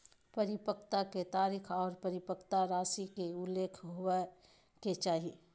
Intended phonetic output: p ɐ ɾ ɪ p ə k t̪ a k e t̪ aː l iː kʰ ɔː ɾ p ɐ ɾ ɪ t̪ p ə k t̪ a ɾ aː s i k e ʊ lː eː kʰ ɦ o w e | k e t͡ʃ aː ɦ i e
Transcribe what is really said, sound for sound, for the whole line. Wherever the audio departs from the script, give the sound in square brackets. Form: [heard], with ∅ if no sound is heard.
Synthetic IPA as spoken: p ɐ ɾ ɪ p ə k t̪ a k e t̪ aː [ɾ] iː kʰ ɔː ɾ p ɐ ɾ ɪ [∅] p ə k t̪ a ɾ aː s i k e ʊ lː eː kʰ ɦ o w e | k e t͡ʃ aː ɦ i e